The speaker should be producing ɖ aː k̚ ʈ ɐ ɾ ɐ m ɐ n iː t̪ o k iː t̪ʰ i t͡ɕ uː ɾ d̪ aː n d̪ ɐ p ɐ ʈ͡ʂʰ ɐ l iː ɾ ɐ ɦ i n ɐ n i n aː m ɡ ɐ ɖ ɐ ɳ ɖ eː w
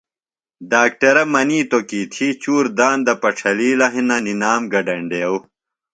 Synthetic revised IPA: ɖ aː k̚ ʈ ɐ ɾ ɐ m ɐ n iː t̪ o k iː t̪ʰ i t͡ɕ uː ɾ d̪ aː n d̪ ɐ p ɐ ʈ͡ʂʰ ɐ l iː l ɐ ɦ i n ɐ n i n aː m ɡ ɐ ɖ ɐ ɳ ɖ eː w